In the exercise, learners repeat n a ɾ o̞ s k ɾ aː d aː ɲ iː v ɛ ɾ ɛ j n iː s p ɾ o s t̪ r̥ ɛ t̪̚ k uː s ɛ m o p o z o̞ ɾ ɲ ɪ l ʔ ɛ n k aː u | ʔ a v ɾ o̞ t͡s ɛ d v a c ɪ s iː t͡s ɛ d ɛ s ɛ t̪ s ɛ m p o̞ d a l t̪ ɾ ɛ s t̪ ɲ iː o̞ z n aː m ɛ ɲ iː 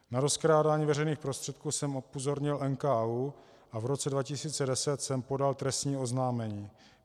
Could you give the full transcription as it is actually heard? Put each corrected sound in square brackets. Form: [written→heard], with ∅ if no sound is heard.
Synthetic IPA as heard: n a ɾ o̞ s k ɾ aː d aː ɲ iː v ɛ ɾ ɛ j n iː [s→x] p ɾ o s t̪ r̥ ɛ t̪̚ k uː s ɛ m o p o z o̞ ɾ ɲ ɪ l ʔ ɛ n k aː u | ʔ a v ɾ o̞ t͡s ɛ d v a c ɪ s iː t͡s ɛ d ɛ s ɛ t̪ s ɛ m p o̞ d a l t̪ ɾ ɛ s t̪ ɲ iː o̞ z n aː m ɛ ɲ iː